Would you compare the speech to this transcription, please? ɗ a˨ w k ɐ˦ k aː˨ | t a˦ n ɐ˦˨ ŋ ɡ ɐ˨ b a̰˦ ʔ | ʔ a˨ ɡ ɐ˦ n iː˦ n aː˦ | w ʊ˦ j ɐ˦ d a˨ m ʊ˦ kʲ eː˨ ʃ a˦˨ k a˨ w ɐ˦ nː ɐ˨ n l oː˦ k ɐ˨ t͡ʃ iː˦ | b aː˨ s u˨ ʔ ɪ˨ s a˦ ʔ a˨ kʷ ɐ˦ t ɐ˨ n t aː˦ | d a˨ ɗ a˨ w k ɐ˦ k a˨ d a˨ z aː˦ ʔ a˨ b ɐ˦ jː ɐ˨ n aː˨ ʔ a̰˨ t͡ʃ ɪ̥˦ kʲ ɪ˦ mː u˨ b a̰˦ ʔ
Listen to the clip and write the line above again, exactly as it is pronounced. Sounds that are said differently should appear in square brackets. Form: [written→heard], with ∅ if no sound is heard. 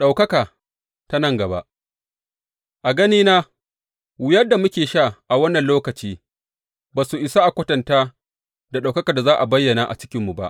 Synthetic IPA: ɗ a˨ w k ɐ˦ k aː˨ | t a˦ n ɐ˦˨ ŋ ɡ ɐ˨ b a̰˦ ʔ | ʔ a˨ ɡ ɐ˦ n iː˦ n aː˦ | w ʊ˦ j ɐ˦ d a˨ m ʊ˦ kʲ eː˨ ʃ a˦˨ [k→ʔ] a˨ w ɐ˦ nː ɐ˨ n l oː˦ k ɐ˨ t͡ʃ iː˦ | b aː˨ s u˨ ʔ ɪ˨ s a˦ ʔ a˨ kʷ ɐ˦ t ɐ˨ n t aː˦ | d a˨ ɗ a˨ w k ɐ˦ k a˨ d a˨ z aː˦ ʔ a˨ b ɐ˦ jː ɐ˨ n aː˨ ʔ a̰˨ t͡ʃ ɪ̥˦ kʲ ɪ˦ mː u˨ b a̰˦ ʔ